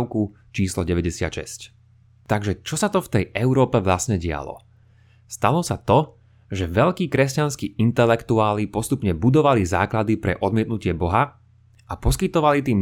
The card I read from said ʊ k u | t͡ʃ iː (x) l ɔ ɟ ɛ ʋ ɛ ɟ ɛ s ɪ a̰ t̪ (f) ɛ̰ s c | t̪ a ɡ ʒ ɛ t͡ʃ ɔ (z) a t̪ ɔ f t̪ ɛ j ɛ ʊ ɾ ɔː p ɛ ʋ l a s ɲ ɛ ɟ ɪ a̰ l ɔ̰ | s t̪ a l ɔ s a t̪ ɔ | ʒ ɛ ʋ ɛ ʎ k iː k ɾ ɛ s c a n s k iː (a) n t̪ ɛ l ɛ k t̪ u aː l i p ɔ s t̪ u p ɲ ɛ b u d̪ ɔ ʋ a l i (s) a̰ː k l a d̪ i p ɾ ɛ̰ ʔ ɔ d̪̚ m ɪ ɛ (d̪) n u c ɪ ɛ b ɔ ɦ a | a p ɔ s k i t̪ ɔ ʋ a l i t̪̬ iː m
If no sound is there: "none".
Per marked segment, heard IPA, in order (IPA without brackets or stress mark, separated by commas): s, ʃ, s, i, z, t̪